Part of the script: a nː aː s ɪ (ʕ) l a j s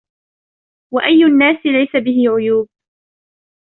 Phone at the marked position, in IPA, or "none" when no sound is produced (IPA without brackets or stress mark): none